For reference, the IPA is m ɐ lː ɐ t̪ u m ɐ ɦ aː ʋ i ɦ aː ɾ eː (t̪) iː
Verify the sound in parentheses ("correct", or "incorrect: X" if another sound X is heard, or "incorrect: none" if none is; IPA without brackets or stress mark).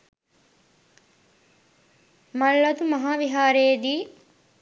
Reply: incorrect: d̪